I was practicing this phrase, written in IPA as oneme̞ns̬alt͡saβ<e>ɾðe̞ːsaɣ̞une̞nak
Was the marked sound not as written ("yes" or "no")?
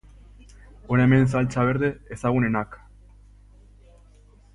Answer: no